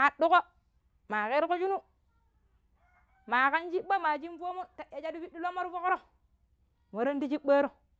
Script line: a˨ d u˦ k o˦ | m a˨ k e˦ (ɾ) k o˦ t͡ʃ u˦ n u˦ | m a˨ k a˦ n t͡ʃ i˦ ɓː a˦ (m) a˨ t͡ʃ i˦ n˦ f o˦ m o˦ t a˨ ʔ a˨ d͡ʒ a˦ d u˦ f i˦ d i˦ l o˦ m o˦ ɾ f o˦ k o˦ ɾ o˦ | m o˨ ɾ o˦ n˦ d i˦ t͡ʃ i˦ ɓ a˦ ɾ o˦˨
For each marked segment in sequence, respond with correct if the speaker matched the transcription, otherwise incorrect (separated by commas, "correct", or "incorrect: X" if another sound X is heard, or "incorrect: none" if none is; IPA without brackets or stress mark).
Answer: correct, correct